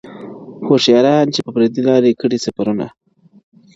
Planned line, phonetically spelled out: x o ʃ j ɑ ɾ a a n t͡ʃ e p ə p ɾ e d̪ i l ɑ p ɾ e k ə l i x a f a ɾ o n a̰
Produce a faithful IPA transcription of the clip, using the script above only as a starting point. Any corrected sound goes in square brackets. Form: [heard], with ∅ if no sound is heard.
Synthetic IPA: x o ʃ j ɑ ɾ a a n t͡ʃ e p ə p ɾ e d̪ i l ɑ [∅] ɾ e k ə [ɽ] i [s] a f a ɾ [u] n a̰